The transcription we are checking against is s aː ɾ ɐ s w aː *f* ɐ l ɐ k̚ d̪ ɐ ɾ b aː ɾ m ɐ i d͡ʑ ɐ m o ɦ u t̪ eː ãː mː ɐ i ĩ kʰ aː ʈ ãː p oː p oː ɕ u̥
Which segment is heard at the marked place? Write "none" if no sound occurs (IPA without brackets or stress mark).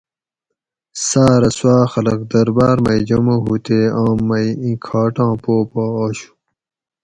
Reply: x